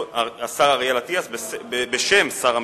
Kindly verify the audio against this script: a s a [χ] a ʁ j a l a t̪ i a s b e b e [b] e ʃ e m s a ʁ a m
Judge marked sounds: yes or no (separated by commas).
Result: no, yes